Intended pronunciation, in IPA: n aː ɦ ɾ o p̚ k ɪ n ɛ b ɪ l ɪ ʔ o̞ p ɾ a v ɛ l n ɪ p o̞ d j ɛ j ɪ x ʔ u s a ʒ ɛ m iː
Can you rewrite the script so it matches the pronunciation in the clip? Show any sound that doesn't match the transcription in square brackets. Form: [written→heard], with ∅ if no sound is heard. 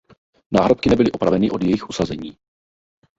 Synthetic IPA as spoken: n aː ɦ ɾ o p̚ k ɪ n ɛ b ɪ l ɪ ʔ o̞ p ɾ a v ɛ [l→∅] n ɪ [p→ʔ] o̞ d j ɛ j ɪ x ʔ u s a [ʒ→z] ɛ [m→ɲ] iː